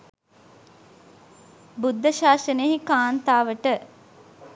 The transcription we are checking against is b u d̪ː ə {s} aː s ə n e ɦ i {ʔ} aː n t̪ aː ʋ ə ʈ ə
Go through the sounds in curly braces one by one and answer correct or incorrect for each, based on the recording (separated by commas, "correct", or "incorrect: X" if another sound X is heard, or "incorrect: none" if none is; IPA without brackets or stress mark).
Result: incorrect: ʃ, incorrect: k